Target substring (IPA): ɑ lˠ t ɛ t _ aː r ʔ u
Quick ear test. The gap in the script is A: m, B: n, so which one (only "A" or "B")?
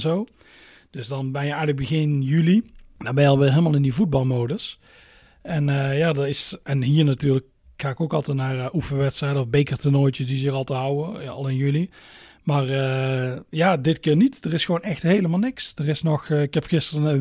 B